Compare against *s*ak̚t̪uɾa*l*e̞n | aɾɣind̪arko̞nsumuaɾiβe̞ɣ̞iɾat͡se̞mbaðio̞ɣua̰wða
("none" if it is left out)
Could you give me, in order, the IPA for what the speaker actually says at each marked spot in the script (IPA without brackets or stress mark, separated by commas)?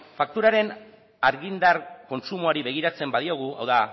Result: f, ɾ